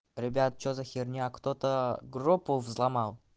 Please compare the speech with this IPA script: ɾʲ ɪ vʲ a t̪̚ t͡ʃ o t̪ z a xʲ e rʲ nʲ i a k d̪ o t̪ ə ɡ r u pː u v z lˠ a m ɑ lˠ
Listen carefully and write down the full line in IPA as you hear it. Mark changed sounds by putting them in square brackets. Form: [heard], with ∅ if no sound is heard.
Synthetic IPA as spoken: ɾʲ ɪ [bʲ] a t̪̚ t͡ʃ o [∅] z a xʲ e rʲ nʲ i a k [t̪] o t̪ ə ɡ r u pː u v z lˠ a m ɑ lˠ

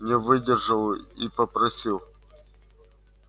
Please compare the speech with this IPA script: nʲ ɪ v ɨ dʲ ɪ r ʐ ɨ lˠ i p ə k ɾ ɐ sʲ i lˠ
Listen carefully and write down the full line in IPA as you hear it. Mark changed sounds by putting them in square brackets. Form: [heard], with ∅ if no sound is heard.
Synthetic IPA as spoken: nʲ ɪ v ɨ dʲ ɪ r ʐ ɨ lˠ i p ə [p] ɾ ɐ sʲ i lˠ

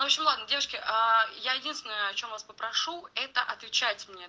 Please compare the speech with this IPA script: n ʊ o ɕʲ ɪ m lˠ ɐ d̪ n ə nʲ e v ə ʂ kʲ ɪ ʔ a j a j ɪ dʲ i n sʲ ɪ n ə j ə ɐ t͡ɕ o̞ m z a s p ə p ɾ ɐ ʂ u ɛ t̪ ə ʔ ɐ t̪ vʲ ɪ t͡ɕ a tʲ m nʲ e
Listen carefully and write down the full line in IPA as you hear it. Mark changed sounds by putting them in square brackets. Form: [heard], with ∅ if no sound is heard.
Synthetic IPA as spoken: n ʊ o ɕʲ ɪ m lˠ [a] d̪ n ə [dʲ] e v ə ʂ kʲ ɪ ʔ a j a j ɪ dʲ i n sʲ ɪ n ə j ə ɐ t͡ɕ o̞ m [v] a s p ə p ɾ ɐ ʂ u ɛ t̪ ə ʔ ɐ t̪ vʲ ɪ t͡ɕ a tʲ m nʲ e

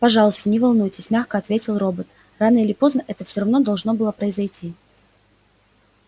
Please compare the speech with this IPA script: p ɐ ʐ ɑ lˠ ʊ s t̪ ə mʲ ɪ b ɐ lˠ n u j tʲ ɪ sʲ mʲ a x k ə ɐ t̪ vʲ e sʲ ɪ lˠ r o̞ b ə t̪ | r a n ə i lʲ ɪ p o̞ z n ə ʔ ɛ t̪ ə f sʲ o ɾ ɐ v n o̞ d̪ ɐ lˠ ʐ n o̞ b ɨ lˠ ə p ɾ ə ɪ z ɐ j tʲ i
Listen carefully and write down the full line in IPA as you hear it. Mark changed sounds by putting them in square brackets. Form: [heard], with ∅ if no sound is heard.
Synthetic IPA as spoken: p ɐ ʐ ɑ lˠ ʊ s t̪ ə [nʲ] ɪ [v] ɐ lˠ n u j tʲ ɪ sʲ mʲ a x k ə ɐ t̪ vʲ e [tʲ] ɪ lˠ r o̞ b ə t̪ | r a n ə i lʲ ɪ p o̞ z n ə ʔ ɛ t̪ ə f sʲ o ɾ ɐ v n o̞ d̪ ɐ lˠ ʐ n o̞ b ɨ lˠ ə p ɾ ə ɪ z ɐ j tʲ i

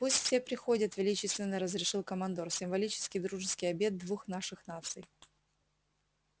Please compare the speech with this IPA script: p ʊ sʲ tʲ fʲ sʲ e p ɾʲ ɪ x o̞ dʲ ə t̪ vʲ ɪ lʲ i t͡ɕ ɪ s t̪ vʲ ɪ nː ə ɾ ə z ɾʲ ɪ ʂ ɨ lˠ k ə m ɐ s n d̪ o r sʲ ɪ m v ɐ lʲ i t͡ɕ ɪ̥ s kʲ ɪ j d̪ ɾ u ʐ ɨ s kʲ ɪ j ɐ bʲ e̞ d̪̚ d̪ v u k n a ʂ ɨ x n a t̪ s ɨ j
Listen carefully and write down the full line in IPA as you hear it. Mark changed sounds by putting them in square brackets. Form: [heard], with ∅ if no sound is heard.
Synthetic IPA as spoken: p [u] sʲ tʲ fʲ sʲ e p ɾʲ ɪ x o̞ dʲ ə t̪ vʲ ɪ lʲ i t͡ɕ ɪ s t̪ vʲ ɪ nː ə ɾ ə z ɾʲ ɪ ʂ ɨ lˠ k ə m ɐ [∅] n d̪ o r sʲ ɪ m v ɐ lʲ i t͡ɕ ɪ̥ s kʲ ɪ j d̪ ɾ u ʐ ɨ s kʲ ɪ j ɐ bʲ e̞ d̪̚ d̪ v u [x] n a ʂ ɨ x n a t̪ s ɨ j

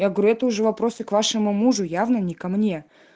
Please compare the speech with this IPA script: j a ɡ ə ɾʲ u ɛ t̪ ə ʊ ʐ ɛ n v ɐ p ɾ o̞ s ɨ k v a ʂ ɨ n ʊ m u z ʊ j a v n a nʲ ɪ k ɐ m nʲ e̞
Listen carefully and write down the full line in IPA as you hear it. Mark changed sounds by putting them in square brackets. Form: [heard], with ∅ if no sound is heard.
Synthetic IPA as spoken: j a ɡ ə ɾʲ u ɛ t̪ ə ʊ ʐ ɛ [∅] v ɐ p ɾ o̞ s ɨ k v a ʂ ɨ [m] ʊ m u [ʐ] ʊ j a v n [ə] nʲ ɪ k ɐ m nʲ e̞

